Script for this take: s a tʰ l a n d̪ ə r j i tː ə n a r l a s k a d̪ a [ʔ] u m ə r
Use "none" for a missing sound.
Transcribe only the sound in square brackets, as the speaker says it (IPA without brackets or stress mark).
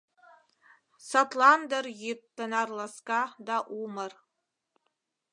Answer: ʔ